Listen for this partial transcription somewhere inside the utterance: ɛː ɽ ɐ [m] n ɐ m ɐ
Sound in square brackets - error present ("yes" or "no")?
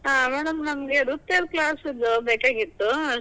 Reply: no